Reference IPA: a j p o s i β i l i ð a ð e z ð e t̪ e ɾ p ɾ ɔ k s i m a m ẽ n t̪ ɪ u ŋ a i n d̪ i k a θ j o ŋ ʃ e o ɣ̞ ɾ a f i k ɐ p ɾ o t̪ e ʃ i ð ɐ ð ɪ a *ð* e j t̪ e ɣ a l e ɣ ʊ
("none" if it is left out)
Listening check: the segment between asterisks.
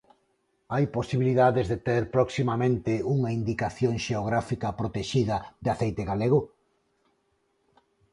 θ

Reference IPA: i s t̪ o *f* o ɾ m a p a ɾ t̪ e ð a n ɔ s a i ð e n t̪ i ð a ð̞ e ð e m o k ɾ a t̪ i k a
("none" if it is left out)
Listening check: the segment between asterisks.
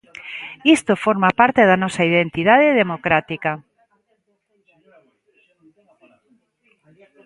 f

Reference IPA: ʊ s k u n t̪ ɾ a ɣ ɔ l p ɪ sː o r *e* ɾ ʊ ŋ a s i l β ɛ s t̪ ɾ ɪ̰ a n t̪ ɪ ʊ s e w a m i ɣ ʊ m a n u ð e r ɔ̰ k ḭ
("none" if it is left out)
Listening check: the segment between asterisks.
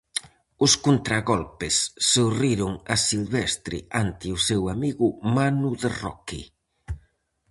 i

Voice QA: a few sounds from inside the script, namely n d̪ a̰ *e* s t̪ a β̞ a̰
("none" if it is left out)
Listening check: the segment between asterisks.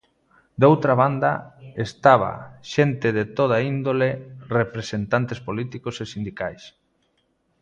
e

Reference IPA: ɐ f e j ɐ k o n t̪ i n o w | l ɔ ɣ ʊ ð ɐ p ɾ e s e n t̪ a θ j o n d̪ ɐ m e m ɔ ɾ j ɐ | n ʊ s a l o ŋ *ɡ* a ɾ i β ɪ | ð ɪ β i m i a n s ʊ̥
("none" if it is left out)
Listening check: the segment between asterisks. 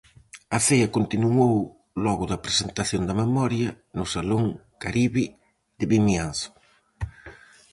k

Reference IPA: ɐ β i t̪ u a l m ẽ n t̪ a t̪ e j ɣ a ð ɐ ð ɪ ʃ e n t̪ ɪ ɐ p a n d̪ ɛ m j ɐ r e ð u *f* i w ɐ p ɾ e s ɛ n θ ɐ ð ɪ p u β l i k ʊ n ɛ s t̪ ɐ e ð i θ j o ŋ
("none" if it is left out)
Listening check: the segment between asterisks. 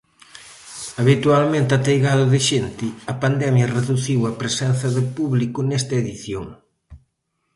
θ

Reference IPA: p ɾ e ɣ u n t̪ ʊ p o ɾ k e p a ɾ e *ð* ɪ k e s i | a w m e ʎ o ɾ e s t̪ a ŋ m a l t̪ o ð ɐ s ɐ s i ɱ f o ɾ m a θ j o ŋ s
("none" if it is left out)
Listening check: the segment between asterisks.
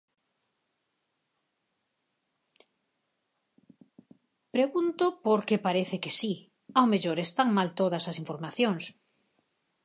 θ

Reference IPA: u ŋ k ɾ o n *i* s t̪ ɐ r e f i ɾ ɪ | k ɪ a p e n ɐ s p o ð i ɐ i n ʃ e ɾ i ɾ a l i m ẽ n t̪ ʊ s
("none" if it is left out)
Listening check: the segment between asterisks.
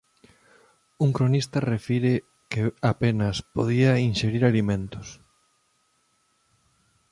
i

